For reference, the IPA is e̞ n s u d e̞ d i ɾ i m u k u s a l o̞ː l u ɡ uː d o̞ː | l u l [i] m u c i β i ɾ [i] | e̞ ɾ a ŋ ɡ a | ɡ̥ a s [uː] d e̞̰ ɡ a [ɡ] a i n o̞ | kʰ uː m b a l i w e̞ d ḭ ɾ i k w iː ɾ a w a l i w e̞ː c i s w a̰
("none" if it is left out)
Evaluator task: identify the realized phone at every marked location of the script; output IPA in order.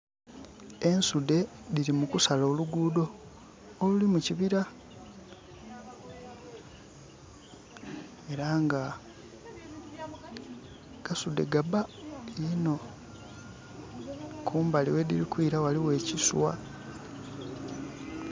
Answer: i, a, u, b

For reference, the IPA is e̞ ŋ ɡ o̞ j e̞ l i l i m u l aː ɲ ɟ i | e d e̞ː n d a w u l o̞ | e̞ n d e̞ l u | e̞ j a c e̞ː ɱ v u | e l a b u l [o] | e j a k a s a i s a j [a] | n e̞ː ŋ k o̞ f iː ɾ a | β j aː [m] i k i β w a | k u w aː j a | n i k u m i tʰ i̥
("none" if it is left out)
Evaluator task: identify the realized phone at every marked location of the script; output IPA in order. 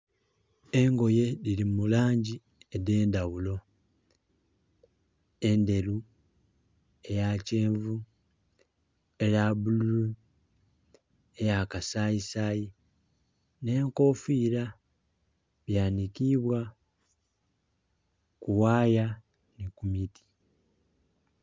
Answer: u, i, n

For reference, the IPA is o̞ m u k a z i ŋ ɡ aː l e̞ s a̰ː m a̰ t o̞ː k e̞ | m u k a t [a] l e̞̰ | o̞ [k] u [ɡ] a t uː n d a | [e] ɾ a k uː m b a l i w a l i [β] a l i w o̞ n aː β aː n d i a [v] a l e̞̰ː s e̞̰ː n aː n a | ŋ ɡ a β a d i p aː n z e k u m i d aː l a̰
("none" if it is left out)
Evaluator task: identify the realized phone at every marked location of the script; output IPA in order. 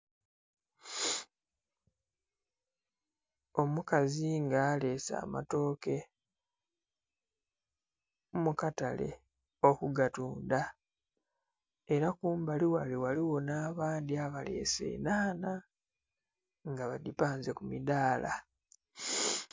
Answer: a, k, ɡ, e, w, β

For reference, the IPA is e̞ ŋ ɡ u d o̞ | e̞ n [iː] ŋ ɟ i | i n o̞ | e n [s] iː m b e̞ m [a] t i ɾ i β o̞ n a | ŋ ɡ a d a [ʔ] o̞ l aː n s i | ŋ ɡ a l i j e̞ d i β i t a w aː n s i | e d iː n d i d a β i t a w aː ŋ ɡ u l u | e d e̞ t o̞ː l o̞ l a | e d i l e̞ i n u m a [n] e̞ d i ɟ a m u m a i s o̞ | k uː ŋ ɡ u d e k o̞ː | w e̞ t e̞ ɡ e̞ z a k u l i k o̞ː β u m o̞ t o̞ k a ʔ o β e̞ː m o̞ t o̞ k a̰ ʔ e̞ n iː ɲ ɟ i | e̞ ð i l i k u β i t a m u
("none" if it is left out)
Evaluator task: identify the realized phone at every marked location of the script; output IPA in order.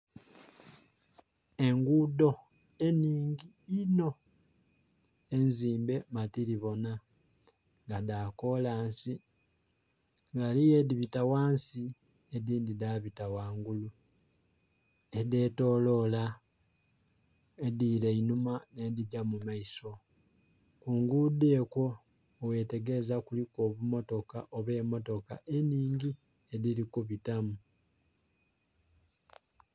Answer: iː, z, a, k, n

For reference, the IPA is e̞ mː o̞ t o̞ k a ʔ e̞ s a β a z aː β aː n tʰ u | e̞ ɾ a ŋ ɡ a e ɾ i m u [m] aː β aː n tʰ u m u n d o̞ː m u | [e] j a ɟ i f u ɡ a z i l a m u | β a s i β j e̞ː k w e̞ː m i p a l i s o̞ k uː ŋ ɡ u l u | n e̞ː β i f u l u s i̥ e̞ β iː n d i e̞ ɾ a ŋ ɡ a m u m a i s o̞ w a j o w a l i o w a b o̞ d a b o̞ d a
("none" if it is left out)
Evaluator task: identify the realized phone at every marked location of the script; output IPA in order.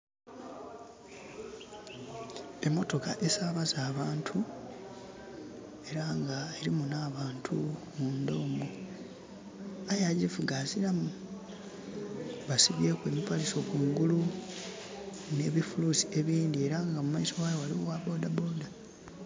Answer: n, a

